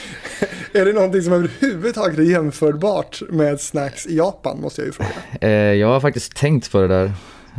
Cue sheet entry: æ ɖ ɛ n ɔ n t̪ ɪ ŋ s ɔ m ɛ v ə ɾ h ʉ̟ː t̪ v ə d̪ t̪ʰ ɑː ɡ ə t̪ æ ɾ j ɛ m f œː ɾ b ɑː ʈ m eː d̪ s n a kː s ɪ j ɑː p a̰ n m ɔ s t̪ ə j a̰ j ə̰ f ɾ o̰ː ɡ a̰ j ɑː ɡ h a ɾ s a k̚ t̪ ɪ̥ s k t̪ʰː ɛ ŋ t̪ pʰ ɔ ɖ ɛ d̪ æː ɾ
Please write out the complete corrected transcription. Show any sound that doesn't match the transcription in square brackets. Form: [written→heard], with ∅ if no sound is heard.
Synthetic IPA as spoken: æ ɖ ɛ n ɔ n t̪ ɪ ŋ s ɔ m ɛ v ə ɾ h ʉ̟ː [t̪→∅] v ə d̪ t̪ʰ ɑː ɡ ə t̪ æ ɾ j ɛ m f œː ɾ b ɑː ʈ m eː d̪ s n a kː s ɪ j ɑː p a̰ n m ɔ s t̪ ə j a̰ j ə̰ f ɾ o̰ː ɡ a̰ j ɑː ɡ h a ɾ [s→f] a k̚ t̪ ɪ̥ s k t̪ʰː ɛ ŋ t̪ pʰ ɔ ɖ ɛ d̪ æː ɾ